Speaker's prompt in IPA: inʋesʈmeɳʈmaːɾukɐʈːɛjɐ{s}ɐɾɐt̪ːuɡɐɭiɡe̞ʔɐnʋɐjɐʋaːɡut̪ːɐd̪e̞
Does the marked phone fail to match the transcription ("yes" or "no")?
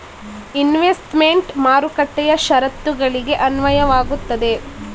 yes